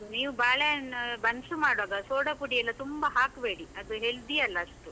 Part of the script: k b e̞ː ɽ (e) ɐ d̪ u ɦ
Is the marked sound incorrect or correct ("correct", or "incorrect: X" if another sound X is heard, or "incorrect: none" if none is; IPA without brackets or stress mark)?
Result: incorrect: i